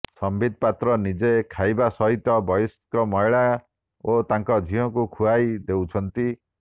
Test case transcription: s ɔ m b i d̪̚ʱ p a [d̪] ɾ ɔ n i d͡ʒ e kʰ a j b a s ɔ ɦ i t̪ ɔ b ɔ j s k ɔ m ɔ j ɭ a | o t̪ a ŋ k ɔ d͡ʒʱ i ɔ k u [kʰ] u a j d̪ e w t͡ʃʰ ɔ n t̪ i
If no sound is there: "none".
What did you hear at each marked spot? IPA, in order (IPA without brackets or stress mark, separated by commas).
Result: t̪, kʰ